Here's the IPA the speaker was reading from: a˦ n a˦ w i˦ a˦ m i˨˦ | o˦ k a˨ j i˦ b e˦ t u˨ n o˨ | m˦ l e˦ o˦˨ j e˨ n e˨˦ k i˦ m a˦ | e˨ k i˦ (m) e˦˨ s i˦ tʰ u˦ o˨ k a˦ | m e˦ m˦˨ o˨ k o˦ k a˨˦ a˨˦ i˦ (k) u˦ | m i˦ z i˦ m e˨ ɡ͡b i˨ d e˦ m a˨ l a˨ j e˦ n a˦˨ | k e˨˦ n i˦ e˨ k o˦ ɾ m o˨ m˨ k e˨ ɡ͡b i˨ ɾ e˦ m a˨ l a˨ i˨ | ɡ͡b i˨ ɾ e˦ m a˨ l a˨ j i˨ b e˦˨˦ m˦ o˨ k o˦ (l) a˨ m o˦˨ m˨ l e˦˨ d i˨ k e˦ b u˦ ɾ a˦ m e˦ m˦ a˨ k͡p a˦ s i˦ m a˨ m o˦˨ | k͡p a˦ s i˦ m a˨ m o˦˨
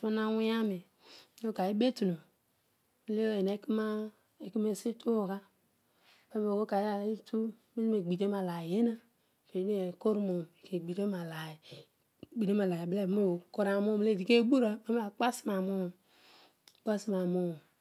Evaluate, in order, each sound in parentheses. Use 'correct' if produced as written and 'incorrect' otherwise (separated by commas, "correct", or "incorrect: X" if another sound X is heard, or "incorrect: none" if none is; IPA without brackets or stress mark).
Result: correct, incorrect: t, incorrect: ɾ